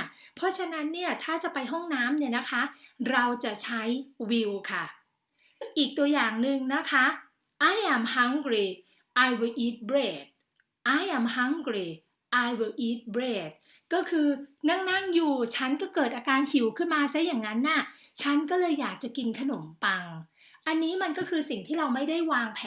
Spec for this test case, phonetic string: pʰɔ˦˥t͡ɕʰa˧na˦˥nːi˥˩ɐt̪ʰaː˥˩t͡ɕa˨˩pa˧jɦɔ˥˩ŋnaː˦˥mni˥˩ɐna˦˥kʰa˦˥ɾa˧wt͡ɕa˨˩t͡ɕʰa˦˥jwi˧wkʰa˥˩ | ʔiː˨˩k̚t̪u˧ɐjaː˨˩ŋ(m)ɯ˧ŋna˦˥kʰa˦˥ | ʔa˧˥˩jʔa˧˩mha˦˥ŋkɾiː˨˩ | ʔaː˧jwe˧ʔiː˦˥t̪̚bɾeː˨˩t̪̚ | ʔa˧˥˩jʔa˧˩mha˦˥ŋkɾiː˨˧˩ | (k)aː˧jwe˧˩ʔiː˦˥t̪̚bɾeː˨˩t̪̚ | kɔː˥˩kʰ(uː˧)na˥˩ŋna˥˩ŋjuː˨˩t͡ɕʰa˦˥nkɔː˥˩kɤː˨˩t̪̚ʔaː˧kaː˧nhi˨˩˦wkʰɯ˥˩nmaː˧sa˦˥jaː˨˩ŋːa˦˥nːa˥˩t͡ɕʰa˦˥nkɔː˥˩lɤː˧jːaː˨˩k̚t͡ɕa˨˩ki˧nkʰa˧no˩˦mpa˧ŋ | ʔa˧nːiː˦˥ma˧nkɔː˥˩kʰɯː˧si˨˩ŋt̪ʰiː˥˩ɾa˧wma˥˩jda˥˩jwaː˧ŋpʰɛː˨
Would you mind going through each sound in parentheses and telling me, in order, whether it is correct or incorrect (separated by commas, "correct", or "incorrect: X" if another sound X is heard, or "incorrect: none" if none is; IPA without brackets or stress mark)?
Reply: incorrect: n, incorrect: ʔ, incorrect: ɯː˧